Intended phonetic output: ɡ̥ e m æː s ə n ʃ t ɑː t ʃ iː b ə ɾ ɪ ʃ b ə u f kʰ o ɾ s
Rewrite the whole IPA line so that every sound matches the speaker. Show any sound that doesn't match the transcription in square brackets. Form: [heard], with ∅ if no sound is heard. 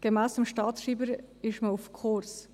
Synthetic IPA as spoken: ɡ̥ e m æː s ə [m] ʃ t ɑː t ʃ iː b ə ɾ ɪ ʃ [m] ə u f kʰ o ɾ s